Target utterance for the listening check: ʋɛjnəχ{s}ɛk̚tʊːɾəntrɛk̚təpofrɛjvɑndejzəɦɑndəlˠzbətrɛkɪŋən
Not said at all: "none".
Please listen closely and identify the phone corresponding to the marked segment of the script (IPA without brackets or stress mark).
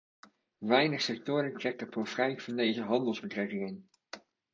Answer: s